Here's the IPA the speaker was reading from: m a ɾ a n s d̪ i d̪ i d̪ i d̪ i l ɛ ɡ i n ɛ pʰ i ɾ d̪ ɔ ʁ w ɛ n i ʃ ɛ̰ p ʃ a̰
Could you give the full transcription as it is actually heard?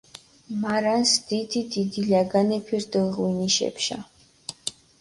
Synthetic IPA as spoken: m a ɾ a n s d̪ i d̪ i d̪ i d̪ i l a ɡ a n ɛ pʰ i ɾ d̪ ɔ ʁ w i n i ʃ ɛ̰ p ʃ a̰